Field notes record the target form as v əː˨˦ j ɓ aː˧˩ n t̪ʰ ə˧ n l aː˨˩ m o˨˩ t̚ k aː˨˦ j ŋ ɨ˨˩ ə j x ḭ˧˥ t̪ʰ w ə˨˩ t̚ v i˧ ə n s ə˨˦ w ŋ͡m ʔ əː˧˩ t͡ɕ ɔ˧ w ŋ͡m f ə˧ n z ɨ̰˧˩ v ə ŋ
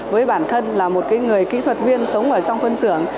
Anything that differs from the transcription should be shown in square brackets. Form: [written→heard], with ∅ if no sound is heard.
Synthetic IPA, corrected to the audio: v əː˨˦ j ɓ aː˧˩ n t̪ʰ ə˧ n l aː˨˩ m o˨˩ t̚ k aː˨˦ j ŋ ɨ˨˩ ə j [x→k] ḭ˧˥ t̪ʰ w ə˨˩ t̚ v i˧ ə n s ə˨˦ w ŋ͡m ʔ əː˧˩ t͡ɕ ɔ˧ w ŋ͡m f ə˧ n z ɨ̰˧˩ [v→∅] ə ŋ